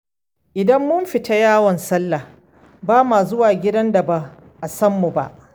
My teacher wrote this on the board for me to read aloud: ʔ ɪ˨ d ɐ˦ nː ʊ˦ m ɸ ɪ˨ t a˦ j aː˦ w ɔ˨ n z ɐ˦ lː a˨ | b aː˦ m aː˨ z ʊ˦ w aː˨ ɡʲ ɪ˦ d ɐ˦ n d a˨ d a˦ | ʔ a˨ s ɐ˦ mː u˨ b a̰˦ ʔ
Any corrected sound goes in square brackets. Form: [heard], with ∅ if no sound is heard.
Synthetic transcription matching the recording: ʔ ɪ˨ d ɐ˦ [mː] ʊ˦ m ɸ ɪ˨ t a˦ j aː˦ w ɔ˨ n [s] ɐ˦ lː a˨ | b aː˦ m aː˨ z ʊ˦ w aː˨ ɡʲ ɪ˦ d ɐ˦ n d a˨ [b] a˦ | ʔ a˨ s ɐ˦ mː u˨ b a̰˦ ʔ

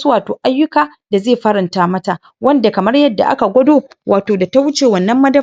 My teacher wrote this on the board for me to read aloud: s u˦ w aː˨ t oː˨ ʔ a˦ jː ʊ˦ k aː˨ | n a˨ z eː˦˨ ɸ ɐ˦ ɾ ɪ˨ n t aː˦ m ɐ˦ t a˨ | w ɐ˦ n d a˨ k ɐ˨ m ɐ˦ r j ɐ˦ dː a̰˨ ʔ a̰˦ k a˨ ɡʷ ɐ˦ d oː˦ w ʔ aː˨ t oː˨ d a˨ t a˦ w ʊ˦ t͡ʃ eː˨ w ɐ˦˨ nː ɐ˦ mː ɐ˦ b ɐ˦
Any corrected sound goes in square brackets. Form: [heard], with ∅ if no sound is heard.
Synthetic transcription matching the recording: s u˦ w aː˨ t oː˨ ʔ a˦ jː ʊ˦ k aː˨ | [d] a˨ z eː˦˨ ɸ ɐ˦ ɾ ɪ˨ n t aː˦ m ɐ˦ t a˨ | w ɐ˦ n d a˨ k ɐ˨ m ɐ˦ r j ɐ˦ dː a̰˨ ʔ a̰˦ k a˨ ɡʷ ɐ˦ d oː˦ w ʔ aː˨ t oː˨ d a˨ t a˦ w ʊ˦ t͡ʃ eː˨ w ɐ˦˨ nː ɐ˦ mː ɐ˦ [d] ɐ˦

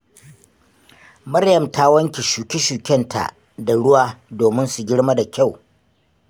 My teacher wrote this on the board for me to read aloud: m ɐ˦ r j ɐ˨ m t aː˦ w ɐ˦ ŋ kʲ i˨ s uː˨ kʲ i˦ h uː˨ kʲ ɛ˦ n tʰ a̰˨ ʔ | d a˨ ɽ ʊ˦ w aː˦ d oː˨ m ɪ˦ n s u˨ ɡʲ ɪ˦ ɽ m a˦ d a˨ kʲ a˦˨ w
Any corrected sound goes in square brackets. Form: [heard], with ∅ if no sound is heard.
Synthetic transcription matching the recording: m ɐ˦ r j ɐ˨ m t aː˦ w ɐ˦ ŋ kʲ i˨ [ʃ] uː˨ kʲ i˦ [ʃ] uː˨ kʲ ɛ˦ n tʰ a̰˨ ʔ | d a˨ ɽ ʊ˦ w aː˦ d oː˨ m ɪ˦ n s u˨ ɡʲ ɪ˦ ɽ m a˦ d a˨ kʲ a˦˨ w

